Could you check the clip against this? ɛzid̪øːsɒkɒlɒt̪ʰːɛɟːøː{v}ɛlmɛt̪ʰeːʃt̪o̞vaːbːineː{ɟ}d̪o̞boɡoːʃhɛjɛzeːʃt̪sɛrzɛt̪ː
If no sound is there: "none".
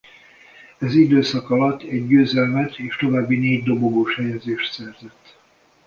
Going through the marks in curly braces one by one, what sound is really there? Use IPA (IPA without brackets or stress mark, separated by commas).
z, ɟ